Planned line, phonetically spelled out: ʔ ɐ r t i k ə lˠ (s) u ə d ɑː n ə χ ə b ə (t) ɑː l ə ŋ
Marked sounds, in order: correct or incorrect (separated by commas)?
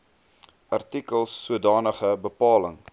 incorrect, incorrect